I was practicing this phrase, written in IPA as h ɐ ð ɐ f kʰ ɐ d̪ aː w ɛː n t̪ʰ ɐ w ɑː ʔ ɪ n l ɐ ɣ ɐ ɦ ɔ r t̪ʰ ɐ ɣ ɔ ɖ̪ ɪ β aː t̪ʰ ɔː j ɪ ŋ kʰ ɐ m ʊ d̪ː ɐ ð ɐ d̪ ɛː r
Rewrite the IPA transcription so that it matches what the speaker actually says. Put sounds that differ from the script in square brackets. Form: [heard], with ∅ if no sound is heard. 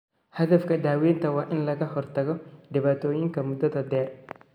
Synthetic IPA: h ɐ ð ɐ f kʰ ɐ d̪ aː w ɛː n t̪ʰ ɐ w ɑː ʔ ɪ n l ɐ ɣ ɐ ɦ ɔ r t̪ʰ ɐ ɣ ɔ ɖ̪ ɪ β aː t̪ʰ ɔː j ɪ ŋ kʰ ɐ m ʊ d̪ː ɐ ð ɐ d̪ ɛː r